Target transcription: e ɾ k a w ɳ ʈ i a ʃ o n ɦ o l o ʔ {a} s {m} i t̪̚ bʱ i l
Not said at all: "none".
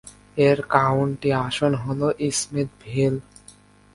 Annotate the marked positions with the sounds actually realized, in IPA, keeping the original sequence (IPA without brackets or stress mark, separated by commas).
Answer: i, m